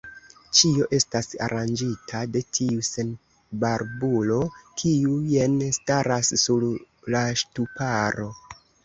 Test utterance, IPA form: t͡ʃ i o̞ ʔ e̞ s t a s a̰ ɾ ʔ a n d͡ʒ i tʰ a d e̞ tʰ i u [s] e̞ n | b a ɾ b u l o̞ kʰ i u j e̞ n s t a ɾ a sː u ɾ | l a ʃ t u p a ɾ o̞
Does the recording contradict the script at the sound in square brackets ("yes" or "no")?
no